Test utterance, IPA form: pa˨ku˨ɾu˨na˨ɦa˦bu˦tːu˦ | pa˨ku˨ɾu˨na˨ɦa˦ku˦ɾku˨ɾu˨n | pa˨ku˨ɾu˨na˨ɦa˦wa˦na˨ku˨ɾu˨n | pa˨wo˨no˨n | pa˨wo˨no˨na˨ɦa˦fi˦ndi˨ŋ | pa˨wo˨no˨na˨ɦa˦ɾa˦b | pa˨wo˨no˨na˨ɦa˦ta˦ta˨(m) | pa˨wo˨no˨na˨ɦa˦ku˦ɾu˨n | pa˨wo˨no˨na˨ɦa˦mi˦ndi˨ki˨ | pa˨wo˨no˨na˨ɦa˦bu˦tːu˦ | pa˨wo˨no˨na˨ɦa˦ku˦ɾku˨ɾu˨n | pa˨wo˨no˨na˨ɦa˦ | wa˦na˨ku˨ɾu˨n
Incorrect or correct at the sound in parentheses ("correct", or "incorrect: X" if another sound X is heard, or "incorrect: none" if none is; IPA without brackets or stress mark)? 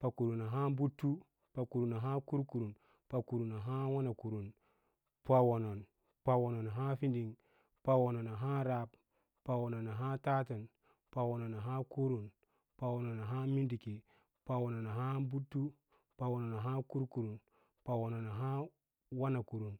incorrect: n